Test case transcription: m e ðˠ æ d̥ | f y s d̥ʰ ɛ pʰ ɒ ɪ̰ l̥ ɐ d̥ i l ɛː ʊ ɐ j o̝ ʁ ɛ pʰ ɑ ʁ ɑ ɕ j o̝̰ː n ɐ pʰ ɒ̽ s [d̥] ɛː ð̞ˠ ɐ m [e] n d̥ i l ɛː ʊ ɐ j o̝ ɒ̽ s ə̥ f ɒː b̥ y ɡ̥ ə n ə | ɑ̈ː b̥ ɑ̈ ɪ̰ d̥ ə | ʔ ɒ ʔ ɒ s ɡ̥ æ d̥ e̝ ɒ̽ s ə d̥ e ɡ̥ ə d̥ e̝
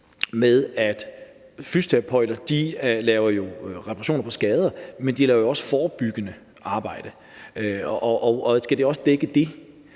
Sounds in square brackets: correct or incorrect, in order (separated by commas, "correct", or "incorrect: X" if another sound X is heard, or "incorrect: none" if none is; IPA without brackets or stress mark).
incorrect: ɡ̥, correct